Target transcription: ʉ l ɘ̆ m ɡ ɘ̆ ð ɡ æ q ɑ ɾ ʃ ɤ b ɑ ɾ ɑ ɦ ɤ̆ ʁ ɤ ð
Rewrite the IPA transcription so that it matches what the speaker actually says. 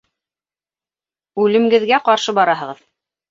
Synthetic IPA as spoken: ʉ l ɘ̆ m ɡ ɘ̆ ð ɡ æ q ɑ ɾ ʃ ɤ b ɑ ɾ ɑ ɦ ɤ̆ ʁ ɤ ð